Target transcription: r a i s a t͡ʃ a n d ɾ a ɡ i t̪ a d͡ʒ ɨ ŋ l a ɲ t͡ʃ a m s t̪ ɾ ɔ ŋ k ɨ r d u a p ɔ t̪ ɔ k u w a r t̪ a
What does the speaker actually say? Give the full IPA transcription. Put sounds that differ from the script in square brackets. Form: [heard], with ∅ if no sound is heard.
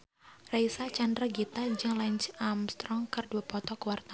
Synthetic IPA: r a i s a t͡ʃ a n d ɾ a ɡ i t̪ a d͡ʒ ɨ ŋ l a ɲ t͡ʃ a m s t̪ ɾ ɔ ŋ k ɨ r d u a p ɔ t̪ ɔ k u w a r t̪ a